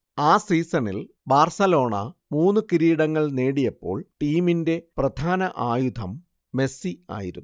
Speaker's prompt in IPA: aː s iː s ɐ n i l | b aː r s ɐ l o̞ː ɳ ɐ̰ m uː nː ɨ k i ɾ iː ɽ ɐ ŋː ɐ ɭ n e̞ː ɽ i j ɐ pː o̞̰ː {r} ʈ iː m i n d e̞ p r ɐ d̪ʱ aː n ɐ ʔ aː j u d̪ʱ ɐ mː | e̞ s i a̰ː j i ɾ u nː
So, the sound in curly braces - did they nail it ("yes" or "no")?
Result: no